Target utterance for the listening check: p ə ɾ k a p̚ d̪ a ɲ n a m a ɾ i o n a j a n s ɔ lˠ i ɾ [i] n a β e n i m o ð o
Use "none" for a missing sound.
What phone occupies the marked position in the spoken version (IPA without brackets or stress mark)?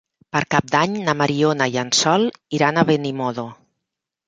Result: a